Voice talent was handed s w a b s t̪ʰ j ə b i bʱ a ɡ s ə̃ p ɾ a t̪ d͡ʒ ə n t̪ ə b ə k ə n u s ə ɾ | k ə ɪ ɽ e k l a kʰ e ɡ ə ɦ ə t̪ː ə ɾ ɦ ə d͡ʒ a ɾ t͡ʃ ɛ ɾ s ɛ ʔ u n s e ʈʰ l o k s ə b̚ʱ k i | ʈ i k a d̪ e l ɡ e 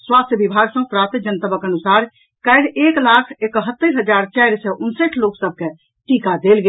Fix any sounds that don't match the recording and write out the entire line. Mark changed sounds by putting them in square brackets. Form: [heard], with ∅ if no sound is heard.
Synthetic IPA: s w a [∅] s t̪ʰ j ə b i bʱ a ɡ s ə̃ p ɾ a t̪ d͡ʒ ə n t̪ ə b ə k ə n u s [a] ɾ | k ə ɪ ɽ e k l a kʰ e [k] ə ɦ ə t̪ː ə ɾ ɦ ə d͡ʒ a ɾ t͡ʃ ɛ ɾ s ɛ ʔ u n s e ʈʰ l o k s ə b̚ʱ k [e] | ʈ i k a d̪ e l ɡ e